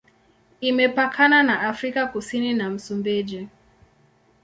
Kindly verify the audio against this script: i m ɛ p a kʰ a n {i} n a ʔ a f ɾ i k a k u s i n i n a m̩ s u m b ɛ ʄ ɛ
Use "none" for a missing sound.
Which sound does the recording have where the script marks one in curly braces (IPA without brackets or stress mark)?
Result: a